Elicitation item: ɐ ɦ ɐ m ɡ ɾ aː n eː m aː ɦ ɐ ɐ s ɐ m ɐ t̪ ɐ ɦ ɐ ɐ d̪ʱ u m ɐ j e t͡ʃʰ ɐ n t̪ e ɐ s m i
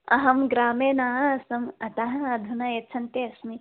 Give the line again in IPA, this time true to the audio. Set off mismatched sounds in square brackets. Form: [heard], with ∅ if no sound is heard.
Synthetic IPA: ɐ ɦ ɐ m ɡ ɾ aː [m] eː [n] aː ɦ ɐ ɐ s ɐ m ɐ t̪ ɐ ɦ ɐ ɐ d̪ʱ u [n] ɐ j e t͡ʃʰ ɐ n t̪ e ɐ s m i